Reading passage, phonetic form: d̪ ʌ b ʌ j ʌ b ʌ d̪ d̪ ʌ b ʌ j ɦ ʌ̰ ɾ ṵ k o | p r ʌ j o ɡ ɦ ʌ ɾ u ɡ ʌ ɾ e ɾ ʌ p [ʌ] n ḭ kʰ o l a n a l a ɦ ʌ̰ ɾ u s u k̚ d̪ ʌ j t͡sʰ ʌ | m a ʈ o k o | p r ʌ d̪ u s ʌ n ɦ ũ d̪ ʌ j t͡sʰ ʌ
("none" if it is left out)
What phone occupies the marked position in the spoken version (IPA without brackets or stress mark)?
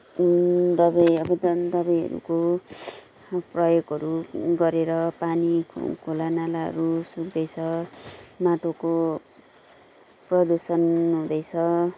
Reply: a